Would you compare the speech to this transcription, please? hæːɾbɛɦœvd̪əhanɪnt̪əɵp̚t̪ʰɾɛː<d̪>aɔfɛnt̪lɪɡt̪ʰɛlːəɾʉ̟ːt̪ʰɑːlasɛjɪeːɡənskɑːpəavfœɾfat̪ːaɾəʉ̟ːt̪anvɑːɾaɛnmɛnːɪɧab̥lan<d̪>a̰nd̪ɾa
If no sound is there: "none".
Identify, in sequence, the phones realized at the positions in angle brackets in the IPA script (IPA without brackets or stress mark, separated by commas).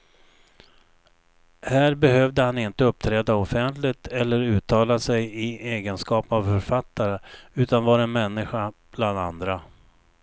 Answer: d̪, d̪